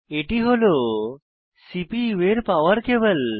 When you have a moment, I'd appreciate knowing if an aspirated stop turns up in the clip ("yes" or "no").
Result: no